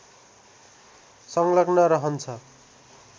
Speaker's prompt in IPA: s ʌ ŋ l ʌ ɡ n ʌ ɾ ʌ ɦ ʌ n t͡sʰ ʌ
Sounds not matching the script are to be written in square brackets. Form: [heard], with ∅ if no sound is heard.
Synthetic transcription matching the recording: s ʌ ŋ l ʌ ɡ n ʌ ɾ ʌ ɦ ʌ n t͡sʰ ʌ